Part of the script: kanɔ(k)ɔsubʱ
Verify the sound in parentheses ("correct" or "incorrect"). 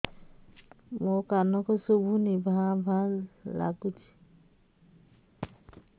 correct